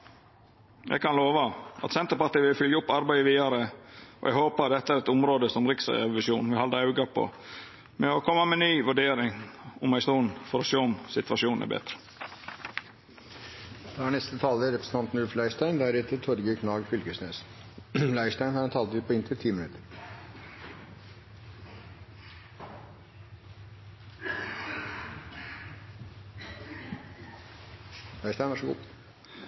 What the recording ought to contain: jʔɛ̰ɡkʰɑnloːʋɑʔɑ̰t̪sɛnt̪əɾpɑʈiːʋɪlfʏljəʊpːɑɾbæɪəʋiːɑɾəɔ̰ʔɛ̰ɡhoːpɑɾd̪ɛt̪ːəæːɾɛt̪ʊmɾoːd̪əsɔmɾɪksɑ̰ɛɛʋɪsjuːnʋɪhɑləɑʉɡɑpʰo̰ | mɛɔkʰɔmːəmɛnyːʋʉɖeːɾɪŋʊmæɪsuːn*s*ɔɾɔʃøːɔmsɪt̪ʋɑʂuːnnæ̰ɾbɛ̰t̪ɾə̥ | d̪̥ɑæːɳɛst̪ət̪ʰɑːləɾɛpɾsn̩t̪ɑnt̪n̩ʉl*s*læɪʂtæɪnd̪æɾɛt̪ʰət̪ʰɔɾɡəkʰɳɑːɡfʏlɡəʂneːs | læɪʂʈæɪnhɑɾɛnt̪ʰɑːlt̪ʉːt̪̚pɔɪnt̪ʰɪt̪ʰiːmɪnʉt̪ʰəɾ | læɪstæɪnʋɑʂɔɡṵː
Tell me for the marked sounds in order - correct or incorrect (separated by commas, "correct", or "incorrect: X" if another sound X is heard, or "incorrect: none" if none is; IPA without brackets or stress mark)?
incorrect: f, incorrect: f